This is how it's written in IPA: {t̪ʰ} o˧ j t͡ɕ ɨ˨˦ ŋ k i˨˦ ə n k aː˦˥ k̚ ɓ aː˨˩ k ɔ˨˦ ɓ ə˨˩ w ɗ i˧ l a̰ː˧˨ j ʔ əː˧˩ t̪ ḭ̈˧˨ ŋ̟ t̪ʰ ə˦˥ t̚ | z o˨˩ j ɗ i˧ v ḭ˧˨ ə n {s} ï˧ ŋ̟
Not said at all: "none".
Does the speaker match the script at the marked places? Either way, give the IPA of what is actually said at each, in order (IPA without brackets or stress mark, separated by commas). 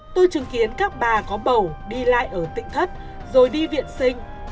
t̪, s